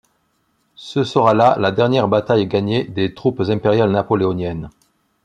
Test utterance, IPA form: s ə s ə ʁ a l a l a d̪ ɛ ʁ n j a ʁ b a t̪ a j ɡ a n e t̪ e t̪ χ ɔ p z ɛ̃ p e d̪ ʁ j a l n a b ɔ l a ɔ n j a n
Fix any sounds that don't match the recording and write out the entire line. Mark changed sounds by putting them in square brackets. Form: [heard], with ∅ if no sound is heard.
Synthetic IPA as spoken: s ə s ə ʁ a l a l a d̪ ɛ ʁ n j [ɛ] ʁ b a t̪ a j ɡ a [ɲ] e [d̪] e t̪ χ [u] p z ɛ̃ p e [∅] ʁ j a l n a [p] ɔ l [e] ɔ n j [ɛ] n

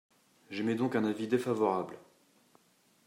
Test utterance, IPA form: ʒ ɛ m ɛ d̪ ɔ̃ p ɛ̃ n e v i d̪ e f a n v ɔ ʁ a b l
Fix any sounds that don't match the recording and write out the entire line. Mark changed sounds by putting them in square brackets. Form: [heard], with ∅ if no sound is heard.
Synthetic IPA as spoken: ʒ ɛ m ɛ d̪ ɔ̃ [k] ɛ̃ n [a] v i d̪ e f a [∅] v ɔ ʁ a b l

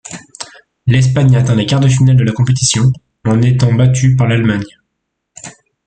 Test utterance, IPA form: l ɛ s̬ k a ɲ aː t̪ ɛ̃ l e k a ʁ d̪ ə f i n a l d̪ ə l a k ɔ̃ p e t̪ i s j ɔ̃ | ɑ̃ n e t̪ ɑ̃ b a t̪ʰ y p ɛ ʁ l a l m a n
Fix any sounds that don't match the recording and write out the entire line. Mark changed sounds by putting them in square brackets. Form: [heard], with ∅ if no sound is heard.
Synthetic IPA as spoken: l ɛ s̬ [p] a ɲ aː t̪ ɛ̃ l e k a ʁ d̪ ə f i n a l d̪ ə l a k ɔ̃ p e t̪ i s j ɔ̃ | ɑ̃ n e t̪ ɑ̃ b a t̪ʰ y p [a] ʁ l a l m a [ɲ]

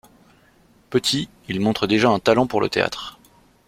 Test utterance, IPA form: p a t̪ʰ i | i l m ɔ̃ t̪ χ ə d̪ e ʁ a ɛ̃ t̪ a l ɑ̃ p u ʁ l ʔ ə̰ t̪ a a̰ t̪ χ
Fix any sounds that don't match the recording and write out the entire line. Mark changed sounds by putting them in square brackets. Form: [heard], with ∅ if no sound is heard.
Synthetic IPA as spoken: p [ə] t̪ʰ i | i l m ɔ̃ t̪ χ ə d̪ e [ʒ] a ɛ̃ t̪ a l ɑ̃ p u ʁ l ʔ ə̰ t̪ [e] a̰ t̪ χ

